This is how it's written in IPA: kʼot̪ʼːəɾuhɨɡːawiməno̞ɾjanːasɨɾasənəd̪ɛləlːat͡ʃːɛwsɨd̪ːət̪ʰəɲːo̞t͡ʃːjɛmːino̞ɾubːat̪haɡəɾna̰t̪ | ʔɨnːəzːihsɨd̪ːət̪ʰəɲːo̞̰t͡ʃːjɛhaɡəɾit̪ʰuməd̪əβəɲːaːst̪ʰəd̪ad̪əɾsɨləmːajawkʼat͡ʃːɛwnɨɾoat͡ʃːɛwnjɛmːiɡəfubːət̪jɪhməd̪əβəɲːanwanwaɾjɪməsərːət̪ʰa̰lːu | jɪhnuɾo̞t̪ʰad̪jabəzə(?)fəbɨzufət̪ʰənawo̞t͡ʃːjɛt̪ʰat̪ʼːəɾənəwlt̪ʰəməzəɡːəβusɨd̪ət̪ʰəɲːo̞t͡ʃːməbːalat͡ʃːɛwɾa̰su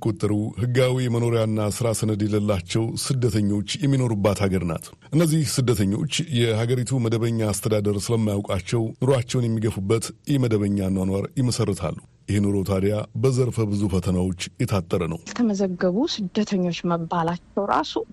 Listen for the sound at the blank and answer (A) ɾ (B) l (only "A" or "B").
A